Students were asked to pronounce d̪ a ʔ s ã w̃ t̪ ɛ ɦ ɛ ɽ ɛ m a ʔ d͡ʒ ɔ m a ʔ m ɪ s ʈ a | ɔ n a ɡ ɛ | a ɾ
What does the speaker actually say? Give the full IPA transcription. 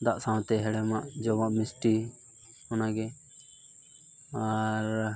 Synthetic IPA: d̪ a ʔ s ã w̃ t̪ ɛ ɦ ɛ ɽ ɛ m a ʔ d͡ʒ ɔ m a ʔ m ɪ s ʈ i | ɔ n a ɡ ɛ | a ɾ